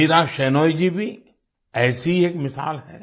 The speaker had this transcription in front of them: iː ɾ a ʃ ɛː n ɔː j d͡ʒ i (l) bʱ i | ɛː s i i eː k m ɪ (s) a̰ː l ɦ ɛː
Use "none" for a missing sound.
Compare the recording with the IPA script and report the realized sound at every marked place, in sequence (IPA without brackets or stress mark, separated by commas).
none, s